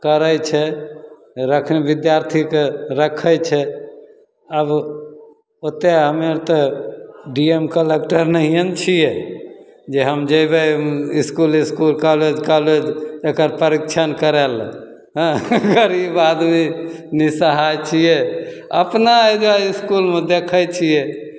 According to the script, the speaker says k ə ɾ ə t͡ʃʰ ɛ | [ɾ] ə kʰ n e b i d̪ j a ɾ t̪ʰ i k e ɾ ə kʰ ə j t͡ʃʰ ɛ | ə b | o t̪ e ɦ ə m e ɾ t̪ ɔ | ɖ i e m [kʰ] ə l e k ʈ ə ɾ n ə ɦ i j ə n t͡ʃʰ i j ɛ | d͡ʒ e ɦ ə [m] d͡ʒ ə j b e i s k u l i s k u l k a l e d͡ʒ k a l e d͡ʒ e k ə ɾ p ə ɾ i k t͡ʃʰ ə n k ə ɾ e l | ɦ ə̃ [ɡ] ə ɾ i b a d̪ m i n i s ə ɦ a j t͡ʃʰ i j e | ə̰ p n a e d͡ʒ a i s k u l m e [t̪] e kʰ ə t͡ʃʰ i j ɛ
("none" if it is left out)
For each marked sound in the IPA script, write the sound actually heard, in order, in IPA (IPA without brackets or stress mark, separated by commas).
ɾ, k, m, ɡ, d̪